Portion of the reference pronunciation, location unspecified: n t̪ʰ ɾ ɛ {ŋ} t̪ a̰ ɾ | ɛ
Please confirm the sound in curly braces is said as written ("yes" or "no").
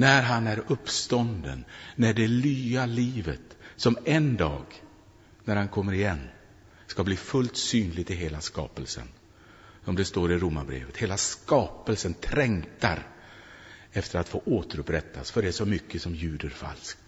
yes